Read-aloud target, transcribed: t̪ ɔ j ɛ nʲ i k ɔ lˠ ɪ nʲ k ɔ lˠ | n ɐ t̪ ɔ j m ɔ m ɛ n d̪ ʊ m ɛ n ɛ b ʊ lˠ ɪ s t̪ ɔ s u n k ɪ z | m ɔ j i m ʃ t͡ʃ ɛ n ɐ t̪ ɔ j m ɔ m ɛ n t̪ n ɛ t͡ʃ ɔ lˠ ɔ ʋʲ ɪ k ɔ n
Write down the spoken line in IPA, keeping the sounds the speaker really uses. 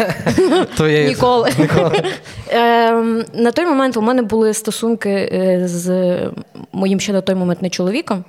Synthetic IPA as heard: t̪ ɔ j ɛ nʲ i k ɔ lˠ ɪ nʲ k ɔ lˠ | n ɐ t̪ ɔ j m ɔ m ɛ n t̪ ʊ m ɛ n ɛ b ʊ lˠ ɪ s t̪ ɔ s u n k ɪ z | m ɔ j i m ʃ t͡ʃ ɛ n ɐ t̪ ɔ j m ɔ m ɛ n t̪ n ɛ t͡ʃ ɔ lˠ ɔ ʋʲ i k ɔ m